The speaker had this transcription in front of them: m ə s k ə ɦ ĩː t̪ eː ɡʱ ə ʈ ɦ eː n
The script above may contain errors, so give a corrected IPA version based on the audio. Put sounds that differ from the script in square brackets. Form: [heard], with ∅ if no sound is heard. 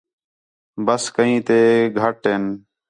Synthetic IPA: [b] ə s k ə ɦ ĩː t̪ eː ɡʱ ə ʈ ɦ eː n